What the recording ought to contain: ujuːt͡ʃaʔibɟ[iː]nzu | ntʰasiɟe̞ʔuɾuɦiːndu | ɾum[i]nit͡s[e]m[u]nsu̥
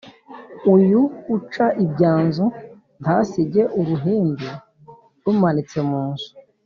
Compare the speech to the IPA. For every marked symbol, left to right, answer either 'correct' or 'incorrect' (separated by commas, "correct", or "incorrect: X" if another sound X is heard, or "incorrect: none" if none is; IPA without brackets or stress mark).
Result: incorrect: aː, incorrect: a, correct, incorrect: uː